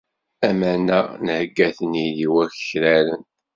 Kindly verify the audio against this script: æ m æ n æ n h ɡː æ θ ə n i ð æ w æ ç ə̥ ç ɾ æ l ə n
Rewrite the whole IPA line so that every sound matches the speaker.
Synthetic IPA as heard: æ m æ n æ n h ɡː æ θ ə n i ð i w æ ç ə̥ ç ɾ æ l ə n